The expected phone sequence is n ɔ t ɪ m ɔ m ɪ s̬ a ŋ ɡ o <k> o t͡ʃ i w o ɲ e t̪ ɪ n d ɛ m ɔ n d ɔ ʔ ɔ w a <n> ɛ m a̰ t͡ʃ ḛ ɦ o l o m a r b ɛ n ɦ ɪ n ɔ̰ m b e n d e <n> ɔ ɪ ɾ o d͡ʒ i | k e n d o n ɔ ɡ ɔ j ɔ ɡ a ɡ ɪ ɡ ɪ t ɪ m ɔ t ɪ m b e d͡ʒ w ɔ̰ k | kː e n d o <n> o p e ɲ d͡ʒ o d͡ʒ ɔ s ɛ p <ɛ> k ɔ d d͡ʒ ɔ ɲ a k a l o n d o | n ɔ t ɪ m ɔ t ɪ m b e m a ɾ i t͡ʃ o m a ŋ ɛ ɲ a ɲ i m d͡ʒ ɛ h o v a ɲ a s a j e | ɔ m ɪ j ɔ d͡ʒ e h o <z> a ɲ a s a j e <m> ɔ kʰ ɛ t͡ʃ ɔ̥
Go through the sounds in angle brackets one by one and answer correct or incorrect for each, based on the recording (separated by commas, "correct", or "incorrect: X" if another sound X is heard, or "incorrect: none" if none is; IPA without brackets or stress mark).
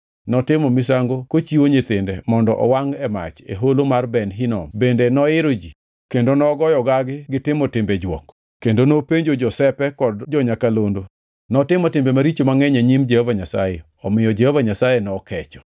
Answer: correct, incorrect: ŋ, correct, correct, correct, incorrect: v, incorrect: n